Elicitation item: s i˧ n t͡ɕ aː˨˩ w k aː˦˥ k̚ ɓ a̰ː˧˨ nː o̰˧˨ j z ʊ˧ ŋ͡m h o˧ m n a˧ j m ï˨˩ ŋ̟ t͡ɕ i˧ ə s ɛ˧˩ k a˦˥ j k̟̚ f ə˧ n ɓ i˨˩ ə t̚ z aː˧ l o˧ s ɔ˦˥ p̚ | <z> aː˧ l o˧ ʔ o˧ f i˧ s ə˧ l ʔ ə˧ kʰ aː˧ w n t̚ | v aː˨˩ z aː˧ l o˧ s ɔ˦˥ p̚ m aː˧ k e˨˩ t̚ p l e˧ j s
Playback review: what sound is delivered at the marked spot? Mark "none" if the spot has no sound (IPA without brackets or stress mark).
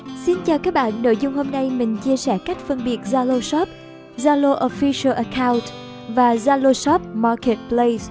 z